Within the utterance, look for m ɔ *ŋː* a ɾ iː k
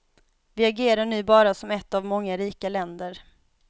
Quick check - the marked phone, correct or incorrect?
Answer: correct